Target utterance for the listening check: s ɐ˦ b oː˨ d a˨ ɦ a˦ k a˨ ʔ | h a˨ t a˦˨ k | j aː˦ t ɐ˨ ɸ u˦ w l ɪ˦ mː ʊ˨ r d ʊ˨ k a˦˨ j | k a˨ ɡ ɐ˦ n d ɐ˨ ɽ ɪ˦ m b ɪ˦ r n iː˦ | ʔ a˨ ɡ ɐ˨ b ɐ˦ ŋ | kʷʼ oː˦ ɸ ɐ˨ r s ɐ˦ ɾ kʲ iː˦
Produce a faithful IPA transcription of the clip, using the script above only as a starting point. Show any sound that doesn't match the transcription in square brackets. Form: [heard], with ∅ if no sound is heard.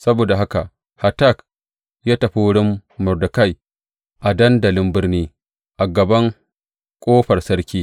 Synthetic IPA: s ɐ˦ b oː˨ d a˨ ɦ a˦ k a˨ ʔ | h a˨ t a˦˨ k | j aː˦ t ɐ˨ ɸ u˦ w [ɽ] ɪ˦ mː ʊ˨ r d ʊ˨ k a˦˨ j | [ʔ] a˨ [d] ɐ˦ n d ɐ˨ [l] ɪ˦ m b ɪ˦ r n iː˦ | ʔ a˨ ɡ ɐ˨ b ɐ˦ ŋ | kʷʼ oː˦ ɸ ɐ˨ r s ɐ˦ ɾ kʲ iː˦